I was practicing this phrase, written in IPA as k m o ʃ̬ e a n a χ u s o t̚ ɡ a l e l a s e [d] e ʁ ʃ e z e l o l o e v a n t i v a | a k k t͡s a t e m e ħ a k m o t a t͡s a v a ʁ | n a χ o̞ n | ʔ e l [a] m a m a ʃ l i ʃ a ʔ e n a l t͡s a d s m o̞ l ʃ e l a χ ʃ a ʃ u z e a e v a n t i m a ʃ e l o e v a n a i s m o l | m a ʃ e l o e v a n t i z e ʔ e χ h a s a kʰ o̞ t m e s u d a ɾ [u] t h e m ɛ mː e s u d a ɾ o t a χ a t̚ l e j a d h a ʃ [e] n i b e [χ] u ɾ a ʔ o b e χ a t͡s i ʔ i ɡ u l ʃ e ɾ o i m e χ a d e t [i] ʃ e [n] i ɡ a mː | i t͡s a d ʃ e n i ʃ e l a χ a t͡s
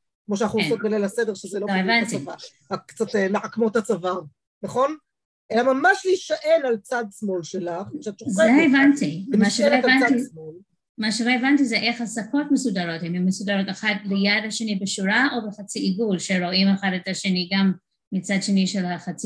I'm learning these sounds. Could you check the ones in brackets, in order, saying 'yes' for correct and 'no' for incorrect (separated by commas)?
yes, yes, no, yes, no, no, yes